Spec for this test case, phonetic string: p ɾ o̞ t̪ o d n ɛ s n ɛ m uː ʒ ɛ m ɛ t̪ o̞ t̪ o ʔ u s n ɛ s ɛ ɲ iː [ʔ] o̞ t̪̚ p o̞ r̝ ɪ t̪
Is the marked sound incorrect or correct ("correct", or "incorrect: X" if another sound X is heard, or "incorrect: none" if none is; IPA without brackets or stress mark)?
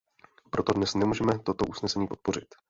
incorrect: p